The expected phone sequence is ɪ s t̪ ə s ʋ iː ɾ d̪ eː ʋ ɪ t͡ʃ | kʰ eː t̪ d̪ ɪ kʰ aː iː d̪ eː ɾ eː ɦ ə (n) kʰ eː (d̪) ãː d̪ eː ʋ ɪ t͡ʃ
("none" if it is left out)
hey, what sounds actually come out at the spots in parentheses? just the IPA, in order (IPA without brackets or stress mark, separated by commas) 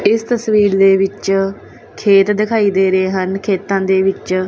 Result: n, t̪